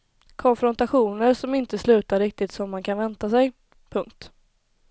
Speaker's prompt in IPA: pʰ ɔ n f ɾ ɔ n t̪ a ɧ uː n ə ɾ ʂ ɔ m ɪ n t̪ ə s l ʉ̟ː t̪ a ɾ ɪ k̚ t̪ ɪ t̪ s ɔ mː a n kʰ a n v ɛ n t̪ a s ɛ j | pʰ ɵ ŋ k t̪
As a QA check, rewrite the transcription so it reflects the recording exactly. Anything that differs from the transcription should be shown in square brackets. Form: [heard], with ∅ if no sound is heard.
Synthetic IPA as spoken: [kʰ] ɔ n f ɾ ɔ n t̪ a ɧ uː n ə ɾ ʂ ɔ m ɪ n t̪ ə s l ʉ̟ː t̪ a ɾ ɪ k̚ t̪ ɪ t̪ s ɔ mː a n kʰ a n v ɛ n t̪ a s ɛ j | pʰ ɵ ŋ k t̪